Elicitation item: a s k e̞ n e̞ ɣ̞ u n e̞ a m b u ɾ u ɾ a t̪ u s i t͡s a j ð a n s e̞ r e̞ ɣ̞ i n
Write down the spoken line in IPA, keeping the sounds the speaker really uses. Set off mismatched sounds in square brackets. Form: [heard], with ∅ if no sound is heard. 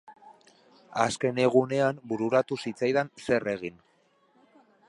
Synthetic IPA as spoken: a s k e̞ n e̞ ɣ̞ u n e̞ a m b u ɾ u ɾ a t̪ u s i t͡s a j ð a n s e̞ r e̞ ɣ̞ i n

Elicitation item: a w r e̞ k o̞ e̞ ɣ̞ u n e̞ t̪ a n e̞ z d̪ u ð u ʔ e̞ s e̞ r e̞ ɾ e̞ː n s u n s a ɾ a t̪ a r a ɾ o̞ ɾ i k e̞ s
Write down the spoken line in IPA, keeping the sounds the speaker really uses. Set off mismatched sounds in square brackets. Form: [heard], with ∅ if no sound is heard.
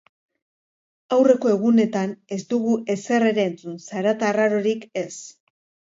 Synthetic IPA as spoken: a w r e̞ k o̞ e̞ ɣ̞ u n e̞ t̪ a n e̞ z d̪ u [ɣ] u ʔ e̞ s e̞ r e̞ ɾ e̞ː n [t͡s] u n s a ɾ a t̪ a r a ɾ o̞ ɾ i k e̞ s

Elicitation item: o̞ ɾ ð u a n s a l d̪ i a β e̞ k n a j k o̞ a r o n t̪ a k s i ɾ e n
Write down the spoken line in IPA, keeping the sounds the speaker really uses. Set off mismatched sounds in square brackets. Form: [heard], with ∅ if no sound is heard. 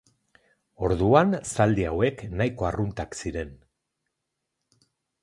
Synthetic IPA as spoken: o̞ ɾ ð u a n s a l d̪ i a [w] e̞ k n a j k o̞ a r [u] n t̪ a k s i ɾ e n

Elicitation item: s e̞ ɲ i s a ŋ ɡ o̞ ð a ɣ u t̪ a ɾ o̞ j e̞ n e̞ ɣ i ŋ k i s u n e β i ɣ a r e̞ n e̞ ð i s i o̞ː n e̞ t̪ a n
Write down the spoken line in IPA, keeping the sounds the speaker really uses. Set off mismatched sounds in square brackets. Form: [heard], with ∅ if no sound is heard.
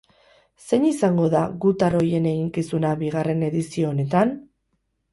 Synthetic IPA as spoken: s e̞ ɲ i s a ŋ ɡ o̞ ð a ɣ u t̪ a ɾ o̞ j e̞ n e̞ ɣ i ŋ k i s u n [a] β i ɣ a r e̞ n e̞ ð i s i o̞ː n e̞ t̪ a n

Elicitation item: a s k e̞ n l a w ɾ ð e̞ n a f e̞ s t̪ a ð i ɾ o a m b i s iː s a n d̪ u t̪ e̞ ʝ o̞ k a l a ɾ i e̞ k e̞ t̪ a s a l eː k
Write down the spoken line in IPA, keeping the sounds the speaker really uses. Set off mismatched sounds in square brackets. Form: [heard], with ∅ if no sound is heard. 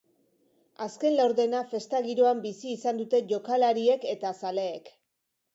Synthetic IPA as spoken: a s k e̞ n l a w ɾ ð e̞ n a f e̞ s t̪ a [ɣ] i ɾ o a m b i s iː s a n d̪ u t̪ e̞ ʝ o̞ k a l a ɾ i e̞ k e̞ t̪ a s a l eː k

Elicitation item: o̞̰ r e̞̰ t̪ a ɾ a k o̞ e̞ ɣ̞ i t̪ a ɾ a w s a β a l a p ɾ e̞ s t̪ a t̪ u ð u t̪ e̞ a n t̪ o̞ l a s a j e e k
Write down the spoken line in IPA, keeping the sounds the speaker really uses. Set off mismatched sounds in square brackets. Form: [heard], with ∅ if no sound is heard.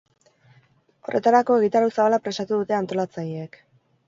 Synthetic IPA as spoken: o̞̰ r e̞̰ t̪ a ɾ a k o̞ e̞ ɣ̞ i t̪ a ɾ a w s a β a l a p ɾ e̞ s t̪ a t̪ u ð u t̪ e̞ a n t̪ o̞ l a [t͡s] a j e e k

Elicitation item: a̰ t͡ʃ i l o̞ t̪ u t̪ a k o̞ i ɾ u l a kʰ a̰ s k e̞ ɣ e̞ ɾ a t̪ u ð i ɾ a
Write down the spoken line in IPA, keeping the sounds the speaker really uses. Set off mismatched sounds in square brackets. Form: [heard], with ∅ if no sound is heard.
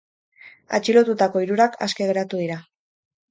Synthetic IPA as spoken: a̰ t͡ʃ i l o̞ t̪ u t̪ a k o̞ i ɾ u [ɾ] a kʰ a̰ s k e̞ ɣ e̞ ɾ a t̪ u ð i ɾ a

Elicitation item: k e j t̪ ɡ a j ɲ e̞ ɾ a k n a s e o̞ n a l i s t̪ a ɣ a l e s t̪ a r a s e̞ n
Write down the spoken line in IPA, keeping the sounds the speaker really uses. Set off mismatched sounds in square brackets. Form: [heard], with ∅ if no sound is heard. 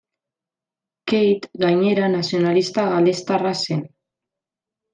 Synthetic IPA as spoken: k e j t̪ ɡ a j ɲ e̞ ɾ a [∅] n a s [i] o̞ n a l i s t̪ a ɣ a l e s t̪ a r a s e̞ n

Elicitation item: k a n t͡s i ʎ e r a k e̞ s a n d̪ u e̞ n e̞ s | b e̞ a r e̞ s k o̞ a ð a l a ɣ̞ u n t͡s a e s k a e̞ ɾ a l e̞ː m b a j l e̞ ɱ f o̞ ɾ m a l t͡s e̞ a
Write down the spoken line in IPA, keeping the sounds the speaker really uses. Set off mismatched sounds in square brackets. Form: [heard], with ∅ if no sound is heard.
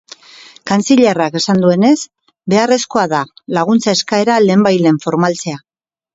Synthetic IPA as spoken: k a n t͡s i ʎ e r a k e̞ s a n d̪ u e̞ n e̞ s | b e̞ a r e̞ s k o̞ a ð a l a ɣ̞ u n t͡s a e s k a e̞ ɾ a l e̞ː m b a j l e̞ ɱ f o̞ ɾ m a l t͡s e̞ a

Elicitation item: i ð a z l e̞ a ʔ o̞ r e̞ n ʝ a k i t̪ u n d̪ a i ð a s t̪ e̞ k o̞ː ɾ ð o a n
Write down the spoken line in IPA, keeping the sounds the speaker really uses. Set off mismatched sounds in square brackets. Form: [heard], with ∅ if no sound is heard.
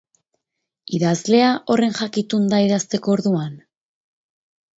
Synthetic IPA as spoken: i ð a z l e̞ a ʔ o̞ r e̞ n ʝ a k i t̪ u n d̪ a i ð a s t̪ e̞ k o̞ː ɾ ð [u] a n

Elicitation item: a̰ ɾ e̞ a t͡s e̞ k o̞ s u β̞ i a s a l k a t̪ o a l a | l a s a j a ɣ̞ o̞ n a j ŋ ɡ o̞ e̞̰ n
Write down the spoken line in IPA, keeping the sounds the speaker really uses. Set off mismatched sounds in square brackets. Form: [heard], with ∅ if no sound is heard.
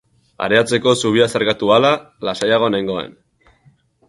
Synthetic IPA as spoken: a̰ ɾ e̞ a t͡s e̞ k o̞ s u β̞ i a s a [ɾ] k a t̪ [u] a l a | l a s a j a ɣ̞ o̞ n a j ŋ ɡ o̞ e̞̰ n

